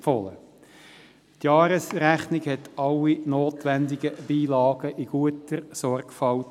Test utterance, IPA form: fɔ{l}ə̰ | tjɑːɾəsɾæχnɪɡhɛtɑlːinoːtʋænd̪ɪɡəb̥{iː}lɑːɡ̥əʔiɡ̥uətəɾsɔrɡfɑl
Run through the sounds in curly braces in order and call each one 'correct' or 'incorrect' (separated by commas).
correct, correct